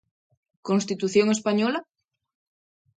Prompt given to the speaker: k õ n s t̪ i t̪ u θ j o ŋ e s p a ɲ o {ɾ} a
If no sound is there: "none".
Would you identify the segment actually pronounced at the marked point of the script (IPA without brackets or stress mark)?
l